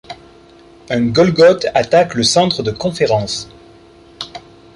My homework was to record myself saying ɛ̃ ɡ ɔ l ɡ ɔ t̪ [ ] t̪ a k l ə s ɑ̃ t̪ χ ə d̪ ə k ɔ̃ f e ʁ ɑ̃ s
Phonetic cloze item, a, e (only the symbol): a